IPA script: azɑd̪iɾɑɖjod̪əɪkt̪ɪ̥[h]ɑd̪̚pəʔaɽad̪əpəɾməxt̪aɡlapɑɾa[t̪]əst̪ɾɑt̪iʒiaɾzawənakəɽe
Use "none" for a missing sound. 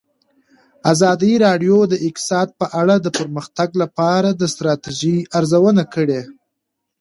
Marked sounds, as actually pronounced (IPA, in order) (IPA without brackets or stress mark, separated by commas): s, d̪